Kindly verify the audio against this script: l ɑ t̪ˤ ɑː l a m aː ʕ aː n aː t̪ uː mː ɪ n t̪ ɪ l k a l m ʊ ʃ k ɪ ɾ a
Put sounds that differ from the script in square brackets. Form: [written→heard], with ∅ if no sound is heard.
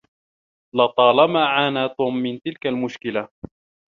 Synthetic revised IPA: l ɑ t̪ˤ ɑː l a m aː ʕ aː n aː t̪ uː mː ɪ n t̪ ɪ l k a l m ʊ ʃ k ɪ [ɾ→l] a

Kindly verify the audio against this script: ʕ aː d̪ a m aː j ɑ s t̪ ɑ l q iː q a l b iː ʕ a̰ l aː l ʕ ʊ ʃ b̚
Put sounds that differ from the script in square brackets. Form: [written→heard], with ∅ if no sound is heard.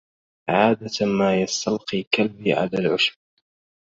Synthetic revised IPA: ʕ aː d̪ a m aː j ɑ s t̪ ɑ l q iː [q→k] a l b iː ʕ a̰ l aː l ʕ ʊ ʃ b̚

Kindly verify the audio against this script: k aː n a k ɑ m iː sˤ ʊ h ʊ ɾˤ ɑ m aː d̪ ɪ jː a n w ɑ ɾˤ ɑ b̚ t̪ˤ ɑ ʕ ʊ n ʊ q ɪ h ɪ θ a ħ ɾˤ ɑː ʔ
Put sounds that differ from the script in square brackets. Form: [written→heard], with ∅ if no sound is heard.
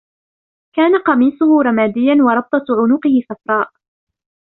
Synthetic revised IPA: k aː n a [k→q] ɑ m iː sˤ ʊ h ʊ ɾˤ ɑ m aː d̪ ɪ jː a n w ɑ ɾˤ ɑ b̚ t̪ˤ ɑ ʕ ʊ n ʊ q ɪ h ɪ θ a [ħ→f] ɾˤ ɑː ʔ

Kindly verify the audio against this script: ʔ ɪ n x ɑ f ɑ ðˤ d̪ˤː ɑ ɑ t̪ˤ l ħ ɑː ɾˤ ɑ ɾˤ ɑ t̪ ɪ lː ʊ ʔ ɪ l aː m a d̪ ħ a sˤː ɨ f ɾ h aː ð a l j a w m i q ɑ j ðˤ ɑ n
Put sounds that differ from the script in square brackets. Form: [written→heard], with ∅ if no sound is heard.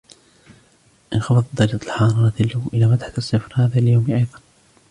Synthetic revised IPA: ʔ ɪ n x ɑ f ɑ ðˤ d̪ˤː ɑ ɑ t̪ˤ l ħ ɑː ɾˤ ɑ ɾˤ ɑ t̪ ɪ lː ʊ ʔ ɪ l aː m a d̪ ħ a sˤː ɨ f ɾ h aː ð a l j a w m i [q→ʔ] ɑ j ðˤ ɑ n

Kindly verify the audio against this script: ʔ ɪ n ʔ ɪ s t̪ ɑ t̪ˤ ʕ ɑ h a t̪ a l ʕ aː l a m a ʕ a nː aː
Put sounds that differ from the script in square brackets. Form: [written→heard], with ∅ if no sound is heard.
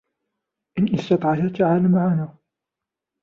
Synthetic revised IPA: ʔ ɪ n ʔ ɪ s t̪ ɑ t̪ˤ ʕ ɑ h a t̪ a [l→∅] ʕ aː l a m a ʕ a [nː→n] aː

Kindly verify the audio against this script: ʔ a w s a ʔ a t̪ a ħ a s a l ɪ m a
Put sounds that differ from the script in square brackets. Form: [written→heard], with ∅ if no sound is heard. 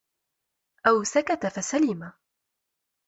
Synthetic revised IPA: ʔ a w s a [ʔ→k] a t̪ a [ħ→f] a s a l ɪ m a

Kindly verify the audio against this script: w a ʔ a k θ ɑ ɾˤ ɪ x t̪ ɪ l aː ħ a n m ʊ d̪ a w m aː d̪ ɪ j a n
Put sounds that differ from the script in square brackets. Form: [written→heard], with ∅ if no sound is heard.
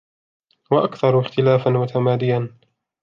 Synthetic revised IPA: w a ʔ a k θ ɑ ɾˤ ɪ x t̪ ɪ l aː [ħ→f] a n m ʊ [d̪→t̪] a [w→∅] m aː d̪ ɪ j a n

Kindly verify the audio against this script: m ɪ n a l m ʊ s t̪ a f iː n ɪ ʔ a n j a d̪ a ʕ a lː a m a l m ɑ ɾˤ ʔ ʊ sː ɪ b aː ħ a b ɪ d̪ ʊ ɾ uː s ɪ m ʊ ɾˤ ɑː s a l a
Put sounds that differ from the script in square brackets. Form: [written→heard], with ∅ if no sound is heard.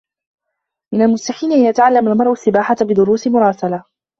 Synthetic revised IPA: m ɪ n a l m ʊ s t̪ a [f→ħ] iː n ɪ ʔ a n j a [d̪→t̪] a ʕ a lː a m a l m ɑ ɾˤ ʔ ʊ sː ɪ b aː ħ a b ɪ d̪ ʊ ɾ uː s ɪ m ʊ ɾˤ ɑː s a l a

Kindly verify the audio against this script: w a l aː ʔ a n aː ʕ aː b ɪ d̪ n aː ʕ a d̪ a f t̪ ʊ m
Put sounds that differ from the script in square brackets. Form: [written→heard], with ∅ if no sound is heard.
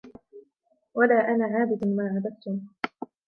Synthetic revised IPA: w a l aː ʔ a n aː ʕ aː b ɪ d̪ [n→m] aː ʕ a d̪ a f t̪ ʊ m

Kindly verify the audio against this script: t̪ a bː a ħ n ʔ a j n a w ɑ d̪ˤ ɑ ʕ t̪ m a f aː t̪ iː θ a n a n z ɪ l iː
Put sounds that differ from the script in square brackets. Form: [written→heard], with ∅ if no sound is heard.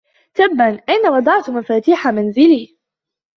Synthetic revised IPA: t̪ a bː a [ħ→∅] n ʔ a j n a w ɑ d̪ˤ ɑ ʕ t̪ m a f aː t̪ iː [θ→ħ] a [n→m] a n z ɪ l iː

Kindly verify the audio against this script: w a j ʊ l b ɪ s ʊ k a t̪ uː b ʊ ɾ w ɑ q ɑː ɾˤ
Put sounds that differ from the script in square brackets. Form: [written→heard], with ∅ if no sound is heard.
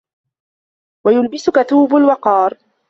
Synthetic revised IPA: w a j ʊ l b ɪ s ʊ k a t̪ uː b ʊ [ɾ→l] w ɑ q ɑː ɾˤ

